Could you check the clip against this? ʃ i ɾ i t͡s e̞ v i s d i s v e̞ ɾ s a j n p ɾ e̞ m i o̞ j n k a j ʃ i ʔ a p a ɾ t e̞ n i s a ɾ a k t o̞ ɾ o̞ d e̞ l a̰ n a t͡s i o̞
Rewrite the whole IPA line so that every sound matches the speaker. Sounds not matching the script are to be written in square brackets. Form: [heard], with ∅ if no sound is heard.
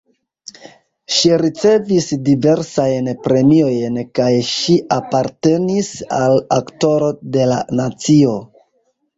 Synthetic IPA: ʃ i ɾ i t͡s e̞ v i s d i [∅] v e̞ ɾ s a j n p ɾ e̞ m i o̞ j n k a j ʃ i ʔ a p a ɾ t e̞ n i s a [l] a k t o̞ ɾ o̞ d e̞ l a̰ n a t͡s i o̞